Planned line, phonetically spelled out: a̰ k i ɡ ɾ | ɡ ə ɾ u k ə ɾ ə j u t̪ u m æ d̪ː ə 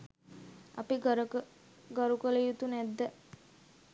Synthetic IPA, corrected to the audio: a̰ p i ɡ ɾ | ɡ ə ɾ u k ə l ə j u t̪ u n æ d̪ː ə